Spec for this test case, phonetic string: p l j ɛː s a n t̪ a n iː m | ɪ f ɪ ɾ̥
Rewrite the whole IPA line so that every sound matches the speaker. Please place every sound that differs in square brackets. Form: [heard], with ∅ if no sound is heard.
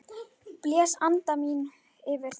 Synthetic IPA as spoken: p l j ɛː s a n t̪ a [m] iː [n] | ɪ [v] ɪ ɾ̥